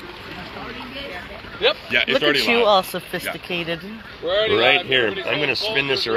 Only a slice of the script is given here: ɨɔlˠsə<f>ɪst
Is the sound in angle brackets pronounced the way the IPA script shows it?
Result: yes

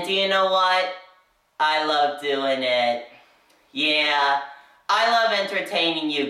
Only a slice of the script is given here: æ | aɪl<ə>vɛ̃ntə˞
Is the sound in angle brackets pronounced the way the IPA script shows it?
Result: no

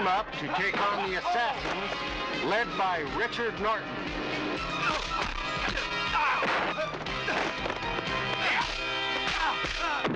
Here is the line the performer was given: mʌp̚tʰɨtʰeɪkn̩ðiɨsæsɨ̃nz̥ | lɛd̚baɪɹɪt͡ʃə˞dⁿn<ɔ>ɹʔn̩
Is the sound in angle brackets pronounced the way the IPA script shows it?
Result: yes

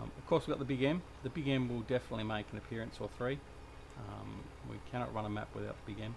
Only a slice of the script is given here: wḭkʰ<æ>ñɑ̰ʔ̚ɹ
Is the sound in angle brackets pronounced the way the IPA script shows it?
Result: yes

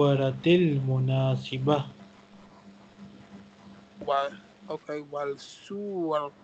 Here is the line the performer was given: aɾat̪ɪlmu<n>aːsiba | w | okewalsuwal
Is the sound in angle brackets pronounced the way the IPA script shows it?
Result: yes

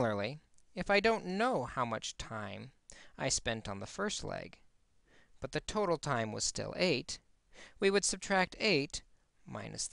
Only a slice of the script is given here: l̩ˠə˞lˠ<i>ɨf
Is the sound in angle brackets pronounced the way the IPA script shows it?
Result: yes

